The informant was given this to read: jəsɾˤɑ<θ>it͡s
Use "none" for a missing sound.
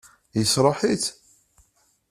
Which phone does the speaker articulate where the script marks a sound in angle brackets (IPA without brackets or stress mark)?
ħ